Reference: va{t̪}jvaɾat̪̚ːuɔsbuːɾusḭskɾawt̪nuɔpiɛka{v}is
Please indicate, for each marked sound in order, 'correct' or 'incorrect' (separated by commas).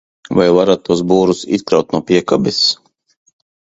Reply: incorrect, incorrect